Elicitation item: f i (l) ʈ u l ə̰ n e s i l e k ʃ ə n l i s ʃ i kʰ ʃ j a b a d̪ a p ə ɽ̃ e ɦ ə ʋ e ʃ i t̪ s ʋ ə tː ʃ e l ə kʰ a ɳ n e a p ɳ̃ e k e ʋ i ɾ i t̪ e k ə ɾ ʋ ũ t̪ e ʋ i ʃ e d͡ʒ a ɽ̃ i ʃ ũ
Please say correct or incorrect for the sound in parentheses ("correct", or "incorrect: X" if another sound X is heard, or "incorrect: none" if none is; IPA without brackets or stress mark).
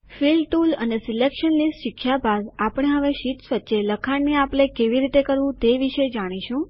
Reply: correct